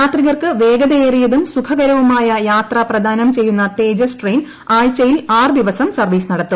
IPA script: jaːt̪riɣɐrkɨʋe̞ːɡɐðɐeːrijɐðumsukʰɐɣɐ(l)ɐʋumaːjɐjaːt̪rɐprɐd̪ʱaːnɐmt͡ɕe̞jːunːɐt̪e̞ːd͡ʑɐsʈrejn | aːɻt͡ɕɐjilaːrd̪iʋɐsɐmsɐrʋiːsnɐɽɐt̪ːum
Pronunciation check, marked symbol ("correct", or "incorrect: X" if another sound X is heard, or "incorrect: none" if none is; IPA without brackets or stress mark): incorrect: ɾ